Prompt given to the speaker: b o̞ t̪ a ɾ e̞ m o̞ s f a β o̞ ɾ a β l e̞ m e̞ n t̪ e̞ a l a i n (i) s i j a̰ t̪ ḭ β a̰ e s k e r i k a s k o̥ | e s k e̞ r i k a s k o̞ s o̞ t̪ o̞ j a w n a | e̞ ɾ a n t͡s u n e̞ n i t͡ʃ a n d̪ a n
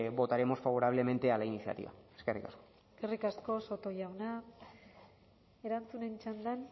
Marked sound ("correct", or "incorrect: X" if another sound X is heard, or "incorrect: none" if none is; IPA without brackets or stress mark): correct